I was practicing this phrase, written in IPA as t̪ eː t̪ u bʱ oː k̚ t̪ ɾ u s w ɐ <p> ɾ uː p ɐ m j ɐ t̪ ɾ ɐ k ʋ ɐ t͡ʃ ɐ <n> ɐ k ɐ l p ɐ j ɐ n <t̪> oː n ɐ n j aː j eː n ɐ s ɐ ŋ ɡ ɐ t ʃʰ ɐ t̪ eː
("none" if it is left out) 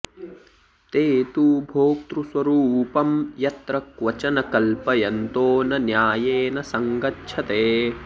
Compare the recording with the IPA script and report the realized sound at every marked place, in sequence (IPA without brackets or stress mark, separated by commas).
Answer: none, n, t̪